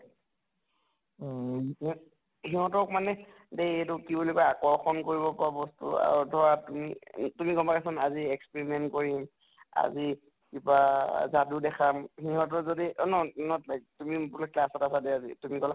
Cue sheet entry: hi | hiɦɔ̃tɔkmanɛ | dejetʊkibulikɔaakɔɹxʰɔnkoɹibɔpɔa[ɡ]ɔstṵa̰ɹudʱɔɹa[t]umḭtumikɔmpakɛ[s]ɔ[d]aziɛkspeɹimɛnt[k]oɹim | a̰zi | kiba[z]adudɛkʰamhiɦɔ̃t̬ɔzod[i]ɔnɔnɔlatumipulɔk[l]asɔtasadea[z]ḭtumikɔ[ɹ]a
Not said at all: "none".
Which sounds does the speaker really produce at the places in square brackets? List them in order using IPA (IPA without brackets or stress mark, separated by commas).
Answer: b, t, s, n, k, z, i, l, z, l